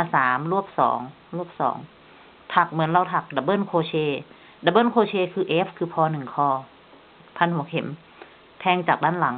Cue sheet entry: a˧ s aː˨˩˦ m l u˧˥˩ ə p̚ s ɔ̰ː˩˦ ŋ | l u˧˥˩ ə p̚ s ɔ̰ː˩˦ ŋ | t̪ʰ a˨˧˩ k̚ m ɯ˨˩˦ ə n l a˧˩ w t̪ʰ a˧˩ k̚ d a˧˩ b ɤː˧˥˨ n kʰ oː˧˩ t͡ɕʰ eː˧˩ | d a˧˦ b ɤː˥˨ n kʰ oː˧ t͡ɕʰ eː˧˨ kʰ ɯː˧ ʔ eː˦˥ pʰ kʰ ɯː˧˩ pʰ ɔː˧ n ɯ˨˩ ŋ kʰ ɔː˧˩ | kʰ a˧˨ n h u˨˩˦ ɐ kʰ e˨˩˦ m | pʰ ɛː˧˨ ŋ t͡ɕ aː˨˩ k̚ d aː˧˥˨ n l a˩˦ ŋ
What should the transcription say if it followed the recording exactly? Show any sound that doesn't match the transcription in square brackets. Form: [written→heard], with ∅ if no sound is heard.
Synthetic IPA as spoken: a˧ s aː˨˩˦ m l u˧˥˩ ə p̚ s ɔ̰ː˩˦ ŋ | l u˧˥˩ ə p̚ s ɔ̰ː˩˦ ŋ | t̪ʰ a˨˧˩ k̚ m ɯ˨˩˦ ə n l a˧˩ w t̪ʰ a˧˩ k̚ d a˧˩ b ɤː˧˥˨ n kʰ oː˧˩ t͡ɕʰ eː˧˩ | d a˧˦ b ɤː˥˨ n kʰ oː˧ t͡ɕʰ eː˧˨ kʰ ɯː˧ ʔ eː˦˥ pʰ kʰ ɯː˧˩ pʰ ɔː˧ n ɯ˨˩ ŋ kʰ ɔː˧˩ | [kʰ→pʰ] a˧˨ n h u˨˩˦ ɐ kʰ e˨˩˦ m | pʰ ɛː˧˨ ŋ t͡ɕ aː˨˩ k̚ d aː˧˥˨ n l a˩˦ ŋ